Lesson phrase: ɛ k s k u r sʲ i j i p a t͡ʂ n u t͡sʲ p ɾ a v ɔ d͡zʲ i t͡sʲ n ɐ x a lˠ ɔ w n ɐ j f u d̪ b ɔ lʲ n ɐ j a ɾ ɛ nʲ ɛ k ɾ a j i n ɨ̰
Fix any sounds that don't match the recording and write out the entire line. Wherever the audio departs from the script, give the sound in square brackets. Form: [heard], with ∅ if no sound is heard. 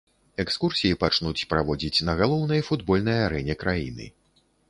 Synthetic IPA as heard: ɛ k s k u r sʲ i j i p a t͡ʂ n u t͡sʲ p ɾ a v ɔ d͡zʲ i t͡sʲ n ɐ [ɣ] a lˠ ɔ w n ɐ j f u d̪ b ɔ lʲ n ɐ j a ɾ ɛ nʲ ɛ k ɾ a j i n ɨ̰